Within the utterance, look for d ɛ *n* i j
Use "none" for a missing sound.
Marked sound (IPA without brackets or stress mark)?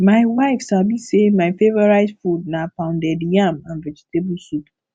d